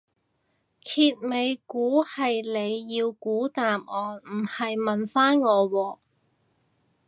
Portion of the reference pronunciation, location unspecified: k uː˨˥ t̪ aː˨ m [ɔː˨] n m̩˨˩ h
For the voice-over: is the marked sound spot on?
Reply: yes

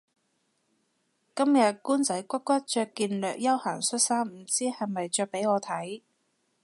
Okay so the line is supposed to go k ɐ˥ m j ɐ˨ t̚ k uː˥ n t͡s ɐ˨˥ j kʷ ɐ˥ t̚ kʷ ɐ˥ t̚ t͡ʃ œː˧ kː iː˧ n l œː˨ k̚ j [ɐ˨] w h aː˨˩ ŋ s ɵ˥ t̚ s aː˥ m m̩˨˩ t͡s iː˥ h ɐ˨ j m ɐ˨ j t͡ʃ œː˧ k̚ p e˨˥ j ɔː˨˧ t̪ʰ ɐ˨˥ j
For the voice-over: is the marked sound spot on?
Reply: no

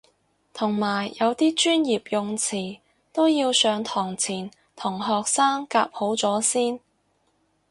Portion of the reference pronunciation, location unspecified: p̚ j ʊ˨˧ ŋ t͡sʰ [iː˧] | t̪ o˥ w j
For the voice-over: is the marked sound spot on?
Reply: no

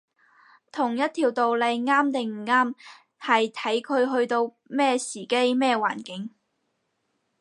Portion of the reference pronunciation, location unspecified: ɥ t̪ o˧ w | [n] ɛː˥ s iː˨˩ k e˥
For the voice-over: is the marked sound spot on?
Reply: no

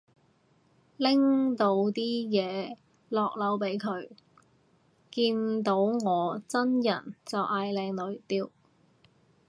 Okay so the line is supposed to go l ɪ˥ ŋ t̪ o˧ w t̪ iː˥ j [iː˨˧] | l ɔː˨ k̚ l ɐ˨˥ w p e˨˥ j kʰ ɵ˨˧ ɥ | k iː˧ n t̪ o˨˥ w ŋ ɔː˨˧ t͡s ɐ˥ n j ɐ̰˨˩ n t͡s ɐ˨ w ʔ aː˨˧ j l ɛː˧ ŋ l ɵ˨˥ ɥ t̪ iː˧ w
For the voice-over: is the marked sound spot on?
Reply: no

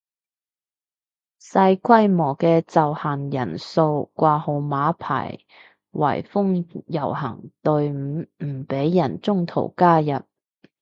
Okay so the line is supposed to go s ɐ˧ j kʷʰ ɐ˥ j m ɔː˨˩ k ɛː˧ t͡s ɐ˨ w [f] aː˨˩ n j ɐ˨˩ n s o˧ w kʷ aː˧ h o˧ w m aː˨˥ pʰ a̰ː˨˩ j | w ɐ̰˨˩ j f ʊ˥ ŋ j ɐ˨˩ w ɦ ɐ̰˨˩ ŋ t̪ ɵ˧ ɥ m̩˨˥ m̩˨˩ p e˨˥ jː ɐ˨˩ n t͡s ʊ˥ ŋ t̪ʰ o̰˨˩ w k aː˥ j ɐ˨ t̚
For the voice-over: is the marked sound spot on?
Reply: no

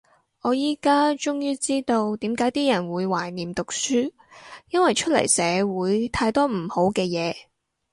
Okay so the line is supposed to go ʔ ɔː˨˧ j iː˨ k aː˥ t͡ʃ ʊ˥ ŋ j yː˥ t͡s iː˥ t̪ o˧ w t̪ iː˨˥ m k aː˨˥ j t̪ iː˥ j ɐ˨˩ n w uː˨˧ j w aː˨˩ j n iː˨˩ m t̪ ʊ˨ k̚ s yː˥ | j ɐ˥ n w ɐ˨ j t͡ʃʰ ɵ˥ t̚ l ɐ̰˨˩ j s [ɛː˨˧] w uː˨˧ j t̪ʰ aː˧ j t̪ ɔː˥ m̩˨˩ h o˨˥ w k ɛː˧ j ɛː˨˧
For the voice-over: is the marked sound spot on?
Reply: yes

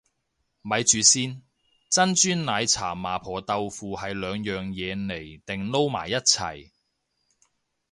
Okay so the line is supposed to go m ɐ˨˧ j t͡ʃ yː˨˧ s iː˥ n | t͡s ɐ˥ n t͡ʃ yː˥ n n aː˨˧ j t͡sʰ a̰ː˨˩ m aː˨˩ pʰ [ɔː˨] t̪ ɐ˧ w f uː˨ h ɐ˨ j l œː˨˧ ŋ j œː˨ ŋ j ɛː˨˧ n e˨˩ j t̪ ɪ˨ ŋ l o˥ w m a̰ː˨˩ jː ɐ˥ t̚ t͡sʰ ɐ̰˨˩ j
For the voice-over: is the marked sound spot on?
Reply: yes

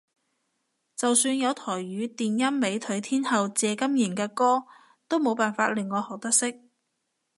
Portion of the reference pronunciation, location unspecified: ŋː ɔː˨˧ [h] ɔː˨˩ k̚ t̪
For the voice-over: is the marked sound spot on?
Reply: yes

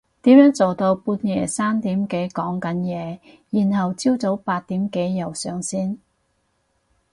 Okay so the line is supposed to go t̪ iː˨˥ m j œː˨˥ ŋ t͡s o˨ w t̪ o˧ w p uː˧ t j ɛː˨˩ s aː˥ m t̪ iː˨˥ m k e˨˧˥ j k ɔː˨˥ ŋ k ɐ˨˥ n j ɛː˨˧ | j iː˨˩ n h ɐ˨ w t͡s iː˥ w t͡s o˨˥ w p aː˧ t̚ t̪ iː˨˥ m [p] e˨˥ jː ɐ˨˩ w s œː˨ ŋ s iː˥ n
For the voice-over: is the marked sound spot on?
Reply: no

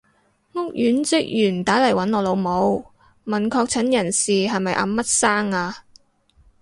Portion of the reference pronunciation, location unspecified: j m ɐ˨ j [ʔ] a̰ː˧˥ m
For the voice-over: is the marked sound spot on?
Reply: yes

